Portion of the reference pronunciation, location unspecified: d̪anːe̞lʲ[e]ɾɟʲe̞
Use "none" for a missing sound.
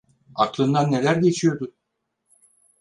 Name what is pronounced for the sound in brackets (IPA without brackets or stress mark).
æ